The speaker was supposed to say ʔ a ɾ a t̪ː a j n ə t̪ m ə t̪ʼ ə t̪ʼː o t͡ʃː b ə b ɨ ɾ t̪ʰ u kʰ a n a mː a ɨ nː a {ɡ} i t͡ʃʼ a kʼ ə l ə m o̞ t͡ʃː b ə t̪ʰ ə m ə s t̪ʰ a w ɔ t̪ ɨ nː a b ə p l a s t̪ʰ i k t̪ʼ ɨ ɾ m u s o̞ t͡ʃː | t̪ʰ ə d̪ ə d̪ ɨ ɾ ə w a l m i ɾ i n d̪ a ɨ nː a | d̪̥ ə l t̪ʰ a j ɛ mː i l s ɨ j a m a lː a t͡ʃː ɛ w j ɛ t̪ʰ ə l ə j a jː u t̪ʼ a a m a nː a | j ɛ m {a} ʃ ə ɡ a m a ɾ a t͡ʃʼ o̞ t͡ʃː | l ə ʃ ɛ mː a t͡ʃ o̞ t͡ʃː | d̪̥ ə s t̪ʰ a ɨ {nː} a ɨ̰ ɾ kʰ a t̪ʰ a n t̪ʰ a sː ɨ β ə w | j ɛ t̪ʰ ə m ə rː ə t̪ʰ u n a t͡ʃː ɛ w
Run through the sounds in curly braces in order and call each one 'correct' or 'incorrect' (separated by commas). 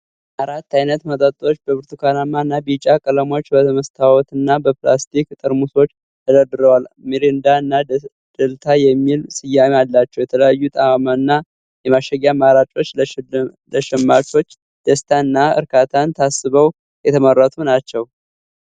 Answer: incorrect, correct, correct